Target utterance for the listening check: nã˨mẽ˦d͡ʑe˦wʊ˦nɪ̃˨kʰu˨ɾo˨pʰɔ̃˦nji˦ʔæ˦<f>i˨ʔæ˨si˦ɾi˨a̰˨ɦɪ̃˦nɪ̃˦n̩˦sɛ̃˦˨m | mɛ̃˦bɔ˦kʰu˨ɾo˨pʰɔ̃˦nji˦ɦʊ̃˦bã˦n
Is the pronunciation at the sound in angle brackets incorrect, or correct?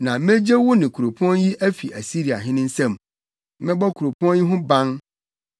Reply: correct